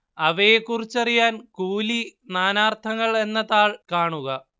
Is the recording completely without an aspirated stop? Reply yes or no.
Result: no